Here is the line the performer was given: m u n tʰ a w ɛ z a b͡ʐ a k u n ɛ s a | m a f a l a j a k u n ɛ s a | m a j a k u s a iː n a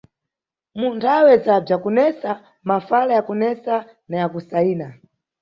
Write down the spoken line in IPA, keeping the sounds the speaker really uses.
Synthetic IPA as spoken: m u n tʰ a w ɛ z a b͡ʐ a k u n ɛ s a | m a f a l a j a k u n ɛ s a | n a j a k u s a iː n a